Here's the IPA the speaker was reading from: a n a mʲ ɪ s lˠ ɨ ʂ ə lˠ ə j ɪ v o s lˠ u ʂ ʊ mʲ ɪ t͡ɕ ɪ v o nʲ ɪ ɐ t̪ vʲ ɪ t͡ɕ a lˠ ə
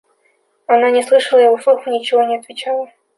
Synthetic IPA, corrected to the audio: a n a nʲ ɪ s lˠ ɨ ʂ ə lˠ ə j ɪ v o s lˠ u x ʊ nʲ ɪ t͡ɕ ɪ v o nʲ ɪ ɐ t̪ vʲ ɪ t͡ɕ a lˠ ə